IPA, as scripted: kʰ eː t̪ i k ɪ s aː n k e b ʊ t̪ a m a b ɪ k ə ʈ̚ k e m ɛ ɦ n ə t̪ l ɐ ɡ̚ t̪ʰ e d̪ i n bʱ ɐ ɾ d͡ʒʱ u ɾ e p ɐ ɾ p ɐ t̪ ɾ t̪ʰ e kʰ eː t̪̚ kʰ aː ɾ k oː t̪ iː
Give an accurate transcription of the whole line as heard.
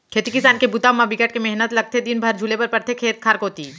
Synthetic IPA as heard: kʰ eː t̪ i k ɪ s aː n k e b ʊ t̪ a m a b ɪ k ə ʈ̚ k e m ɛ ɦ n ə t̪ l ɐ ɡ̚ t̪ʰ e d̪ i n bʱ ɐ ɾ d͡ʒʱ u l e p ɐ ɾ p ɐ ɾ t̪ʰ e kʰ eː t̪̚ kʰ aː ɾ k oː t̪ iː